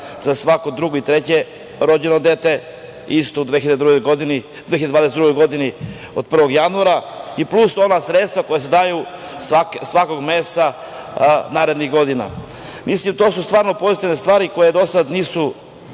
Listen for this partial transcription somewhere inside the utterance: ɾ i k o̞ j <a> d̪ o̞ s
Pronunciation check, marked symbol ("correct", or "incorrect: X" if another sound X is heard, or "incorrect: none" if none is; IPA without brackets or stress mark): incorrect: e